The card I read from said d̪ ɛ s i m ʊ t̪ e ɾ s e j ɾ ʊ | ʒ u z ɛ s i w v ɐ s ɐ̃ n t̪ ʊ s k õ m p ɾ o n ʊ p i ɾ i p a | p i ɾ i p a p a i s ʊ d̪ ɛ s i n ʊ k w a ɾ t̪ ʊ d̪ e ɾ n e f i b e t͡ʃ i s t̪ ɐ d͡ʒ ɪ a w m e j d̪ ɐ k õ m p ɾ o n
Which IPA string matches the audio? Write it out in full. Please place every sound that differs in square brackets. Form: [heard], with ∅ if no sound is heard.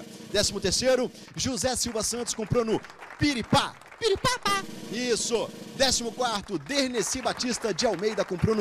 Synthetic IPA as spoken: d̪ ɛ s i m ʊ t̪ e ɾ s e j ɾ ʊ | ʒ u z ɛ s i w v ɐ s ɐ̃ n t̪ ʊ s k õ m p ɾ o n ʊ p i ɾ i p a | p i ɾ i p a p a i s ʊ d̪ ɛ s i [m] ʊ k w a ɾ t̪ ʊ d̪ e ɾ n e [s] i b [a] t͡ʃ i s t̪ ɐ d͡ʒ ɪ a w m e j d̪ ɐ k õ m p ɾ o n